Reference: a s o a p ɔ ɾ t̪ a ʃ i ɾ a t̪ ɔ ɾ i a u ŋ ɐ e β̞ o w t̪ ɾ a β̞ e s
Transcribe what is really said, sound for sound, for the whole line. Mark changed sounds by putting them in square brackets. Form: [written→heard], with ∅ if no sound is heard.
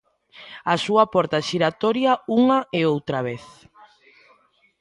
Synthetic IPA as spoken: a s [o→u] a p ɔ ɾ t̪ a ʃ i ɾ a t̪ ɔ ɾ [i→j] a u ŋ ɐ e [β̞→∅] o w t̪ ɾ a β̞ e [s→θ]